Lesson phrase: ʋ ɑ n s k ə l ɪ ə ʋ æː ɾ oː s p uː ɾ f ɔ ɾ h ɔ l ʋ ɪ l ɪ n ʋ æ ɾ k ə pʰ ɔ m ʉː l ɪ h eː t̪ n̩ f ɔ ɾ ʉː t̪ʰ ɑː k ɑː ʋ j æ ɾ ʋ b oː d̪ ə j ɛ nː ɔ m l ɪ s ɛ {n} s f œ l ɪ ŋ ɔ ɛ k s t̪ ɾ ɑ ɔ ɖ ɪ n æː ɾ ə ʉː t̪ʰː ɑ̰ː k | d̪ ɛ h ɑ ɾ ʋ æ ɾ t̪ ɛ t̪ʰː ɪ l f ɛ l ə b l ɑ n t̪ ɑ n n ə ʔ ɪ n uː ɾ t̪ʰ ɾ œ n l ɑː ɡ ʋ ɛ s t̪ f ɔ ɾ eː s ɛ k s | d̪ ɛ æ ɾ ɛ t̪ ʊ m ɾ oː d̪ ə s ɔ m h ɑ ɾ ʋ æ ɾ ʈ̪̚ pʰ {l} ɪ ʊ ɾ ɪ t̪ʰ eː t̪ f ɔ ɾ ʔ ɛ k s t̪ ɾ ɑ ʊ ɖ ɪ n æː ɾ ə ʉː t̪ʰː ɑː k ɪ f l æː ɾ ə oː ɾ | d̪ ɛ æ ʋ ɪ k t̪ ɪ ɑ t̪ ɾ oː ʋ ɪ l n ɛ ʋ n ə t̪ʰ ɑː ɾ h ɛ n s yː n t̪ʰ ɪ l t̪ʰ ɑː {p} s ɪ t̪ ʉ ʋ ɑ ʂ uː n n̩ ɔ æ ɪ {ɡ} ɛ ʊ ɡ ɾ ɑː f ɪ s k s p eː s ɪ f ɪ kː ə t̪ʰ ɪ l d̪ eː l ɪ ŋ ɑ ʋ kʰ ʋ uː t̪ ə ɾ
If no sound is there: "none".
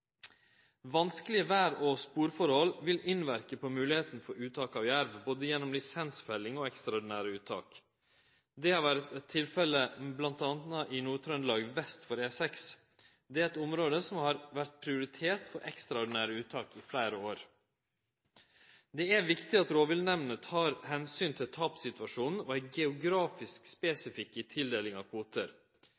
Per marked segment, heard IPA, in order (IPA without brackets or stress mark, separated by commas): n, ɾ, p, ɡ